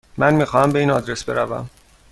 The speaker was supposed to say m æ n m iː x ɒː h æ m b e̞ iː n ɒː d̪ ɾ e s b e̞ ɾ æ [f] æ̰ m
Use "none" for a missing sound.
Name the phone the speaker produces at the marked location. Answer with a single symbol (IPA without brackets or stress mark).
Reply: v